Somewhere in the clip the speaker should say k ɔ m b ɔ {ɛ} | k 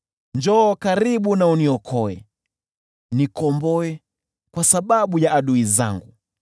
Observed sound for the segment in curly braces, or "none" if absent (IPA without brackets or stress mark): ɛ